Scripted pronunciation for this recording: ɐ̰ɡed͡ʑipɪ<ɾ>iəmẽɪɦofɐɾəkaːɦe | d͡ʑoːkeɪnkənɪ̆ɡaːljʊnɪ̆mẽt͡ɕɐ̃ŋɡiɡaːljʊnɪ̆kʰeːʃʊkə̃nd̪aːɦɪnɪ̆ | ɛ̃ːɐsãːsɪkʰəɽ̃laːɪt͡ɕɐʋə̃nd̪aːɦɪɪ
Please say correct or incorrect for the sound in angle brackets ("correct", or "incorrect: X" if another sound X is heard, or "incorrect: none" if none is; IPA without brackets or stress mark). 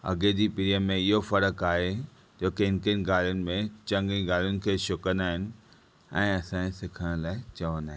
correct